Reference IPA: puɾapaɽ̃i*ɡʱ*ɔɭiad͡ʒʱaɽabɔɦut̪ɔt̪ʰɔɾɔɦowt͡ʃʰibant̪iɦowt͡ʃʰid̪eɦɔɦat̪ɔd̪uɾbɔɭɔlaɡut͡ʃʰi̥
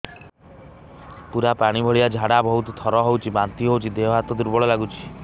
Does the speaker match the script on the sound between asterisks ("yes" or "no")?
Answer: no